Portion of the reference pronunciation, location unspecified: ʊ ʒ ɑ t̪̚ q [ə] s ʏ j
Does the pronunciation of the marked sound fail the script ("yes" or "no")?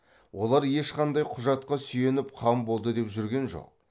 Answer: yes